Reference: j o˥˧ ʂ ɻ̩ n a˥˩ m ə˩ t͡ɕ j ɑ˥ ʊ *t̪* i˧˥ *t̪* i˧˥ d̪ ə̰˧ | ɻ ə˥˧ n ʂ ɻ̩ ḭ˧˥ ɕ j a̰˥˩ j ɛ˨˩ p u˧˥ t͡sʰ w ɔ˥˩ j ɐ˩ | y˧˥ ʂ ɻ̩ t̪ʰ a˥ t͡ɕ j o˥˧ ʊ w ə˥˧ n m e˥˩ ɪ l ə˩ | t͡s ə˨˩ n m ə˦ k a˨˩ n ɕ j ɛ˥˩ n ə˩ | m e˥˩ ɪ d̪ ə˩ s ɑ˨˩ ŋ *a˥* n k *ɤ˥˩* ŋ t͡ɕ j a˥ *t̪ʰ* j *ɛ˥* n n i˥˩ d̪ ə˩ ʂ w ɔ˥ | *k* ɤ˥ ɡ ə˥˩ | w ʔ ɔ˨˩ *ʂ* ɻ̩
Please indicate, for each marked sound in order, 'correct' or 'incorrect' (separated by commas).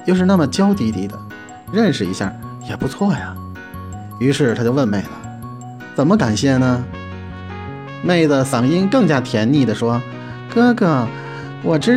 correct, correct, incorrect, correct, correct, incorrect, correct, incorrect